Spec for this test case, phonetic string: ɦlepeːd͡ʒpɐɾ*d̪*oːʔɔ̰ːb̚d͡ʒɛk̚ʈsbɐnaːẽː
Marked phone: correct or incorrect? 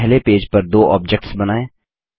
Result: correct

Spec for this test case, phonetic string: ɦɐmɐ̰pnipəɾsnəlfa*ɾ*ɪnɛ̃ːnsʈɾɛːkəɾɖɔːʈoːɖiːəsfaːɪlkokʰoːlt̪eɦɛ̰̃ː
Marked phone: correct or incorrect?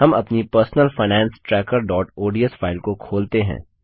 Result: incorrect: none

